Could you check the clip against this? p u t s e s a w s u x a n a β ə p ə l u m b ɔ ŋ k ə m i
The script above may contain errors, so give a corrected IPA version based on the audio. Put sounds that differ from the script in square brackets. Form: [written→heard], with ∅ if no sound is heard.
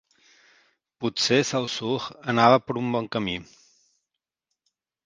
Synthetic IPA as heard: p u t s e s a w s u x [a→ə] n a β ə p ə [l→ɾ] u m b ɔ ŋ k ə m i